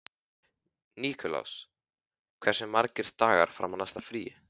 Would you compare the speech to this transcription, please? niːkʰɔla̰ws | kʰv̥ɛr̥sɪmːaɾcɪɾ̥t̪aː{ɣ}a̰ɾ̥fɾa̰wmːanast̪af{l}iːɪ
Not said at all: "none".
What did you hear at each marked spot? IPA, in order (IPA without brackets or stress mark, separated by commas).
ɣ, ɾ